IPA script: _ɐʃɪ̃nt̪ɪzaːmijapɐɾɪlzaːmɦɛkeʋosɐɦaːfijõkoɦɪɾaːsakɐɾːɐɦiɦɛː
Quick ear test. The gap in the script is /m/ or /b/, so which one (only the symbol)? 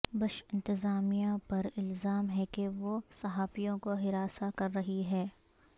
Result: b